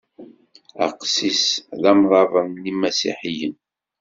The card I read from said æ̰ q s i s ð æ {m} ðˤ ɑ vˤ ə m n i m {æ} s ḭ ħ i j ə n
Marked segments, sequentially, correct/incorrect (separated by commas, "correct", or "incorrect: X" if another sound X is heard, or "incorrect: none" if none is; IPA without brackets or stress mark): correct, correct